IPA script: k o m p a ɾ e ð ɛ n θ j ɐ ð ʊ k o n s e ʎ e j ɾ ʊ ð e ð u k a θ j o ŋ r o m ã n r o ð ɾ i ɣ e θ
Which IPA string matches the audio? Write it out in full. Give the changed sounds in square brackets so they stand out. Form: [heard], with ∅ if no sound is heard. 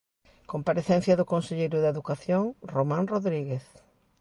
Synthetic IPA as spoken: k o m p a ɾ e [θ] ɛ n θ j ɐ ð ʊ k o n s e ʎ e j ɾ ʊ ð e ð u k a θ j o ŋ r o m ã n r o ð ɾ i ɣ e θ